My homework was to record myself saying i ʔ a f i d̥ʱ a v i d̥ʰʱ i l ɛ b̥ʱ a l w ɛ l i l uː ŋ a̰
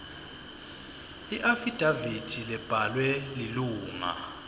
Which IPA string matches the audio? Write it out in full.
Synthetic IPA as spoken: i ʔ a f i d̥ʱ a v i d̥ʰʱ i l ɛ b̥ʱ a l w ɛ l i l uː ŋ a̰